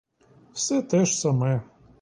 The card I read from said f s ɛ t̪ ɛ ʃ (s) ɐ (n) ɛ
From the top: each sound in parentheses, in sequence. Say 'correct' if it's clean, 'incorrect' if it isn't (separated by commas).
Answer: correct, incorrect